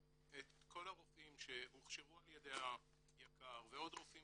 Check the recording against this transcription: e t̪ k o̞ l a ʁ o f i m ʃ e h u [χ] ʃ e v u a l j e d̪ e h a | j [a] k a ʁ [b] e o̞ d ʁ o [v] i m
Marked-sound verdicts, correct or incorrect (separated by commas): correct, correct, incorrect, incorrect